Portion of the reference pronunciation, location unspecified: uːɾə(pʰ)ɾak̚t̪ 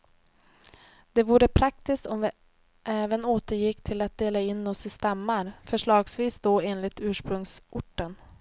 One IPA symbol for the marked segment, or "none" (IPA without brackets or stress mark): pʰ